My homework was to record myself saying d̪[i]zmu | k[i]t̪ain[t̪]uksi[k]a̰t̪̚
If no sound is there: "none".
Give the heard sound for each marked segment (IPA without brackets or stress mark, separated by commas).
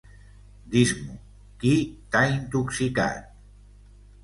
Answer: i, i, t̪, k